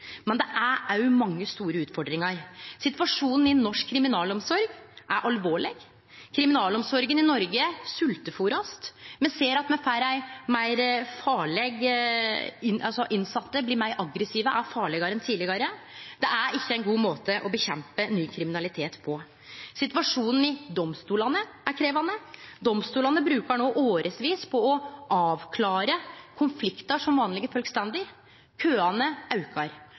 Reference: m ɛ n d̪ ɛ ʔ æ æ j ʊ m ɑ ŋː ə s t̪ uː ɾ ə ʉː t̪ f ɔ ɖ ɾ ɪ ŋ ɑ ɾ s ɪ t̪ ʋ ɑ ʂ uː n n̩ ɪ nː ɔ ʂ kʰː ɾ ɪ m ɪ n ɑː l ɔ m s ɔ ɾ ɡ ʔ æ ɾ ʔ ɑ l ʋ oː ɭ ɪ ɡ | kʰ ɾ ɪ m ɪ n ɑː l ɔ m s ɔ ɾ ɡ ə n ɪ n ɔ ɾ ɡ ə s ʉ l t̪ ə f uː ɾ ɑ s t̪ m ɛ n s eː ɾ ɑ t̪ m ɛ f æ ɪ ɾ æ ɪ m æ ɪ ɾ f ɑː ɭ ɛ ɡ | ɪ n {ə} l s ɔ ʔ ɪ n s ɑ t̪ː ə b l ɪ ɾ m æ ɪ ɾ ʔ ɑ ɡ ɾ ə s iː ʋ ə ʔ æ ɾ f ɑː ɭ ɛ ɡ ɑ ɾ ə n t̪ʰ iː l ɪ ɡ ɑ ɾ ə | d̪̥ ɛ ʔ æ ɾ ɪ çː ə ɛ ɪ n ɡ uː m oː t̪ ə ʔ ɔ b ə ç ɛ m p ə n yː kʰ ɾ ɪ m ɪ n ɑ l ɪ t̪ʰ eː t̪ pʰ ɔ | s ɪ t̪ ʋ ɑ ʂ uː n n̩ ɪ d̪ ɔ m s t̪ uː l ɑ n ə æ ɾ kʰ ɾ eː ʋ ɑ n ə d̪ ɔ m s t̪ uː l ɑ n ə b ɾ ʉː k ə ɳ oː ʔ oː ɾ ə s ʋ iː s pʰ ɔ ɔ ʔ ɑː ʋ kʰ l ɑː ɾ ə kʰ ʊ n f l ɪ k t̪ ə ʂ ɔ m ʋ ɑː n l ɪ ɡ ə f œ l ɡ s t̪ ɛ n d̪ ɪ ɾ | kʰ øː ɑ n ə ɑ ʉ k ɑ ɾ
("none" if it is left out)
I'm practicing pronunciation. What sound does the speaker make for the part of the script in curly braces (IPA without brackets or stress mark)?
ɑ